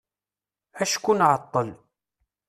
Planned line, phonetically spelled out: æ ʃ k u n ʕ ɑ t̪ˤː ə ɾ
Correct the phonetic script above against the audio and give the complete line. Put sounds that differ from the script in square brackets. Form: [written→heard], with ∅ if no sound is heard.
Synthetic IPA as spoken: æ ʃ k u n ʕ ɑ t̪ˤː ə [ɾ→l]